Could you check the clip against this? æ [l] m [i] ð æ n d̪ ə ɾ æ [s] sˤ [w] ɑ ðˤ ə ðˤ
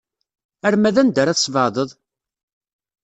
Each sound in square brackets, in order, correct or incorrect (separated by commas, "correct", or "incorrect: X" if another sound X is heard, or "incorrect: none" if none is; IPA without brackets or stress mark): incorrect: ɾ, incorrect: æ, incorrect: θ, incorrect: v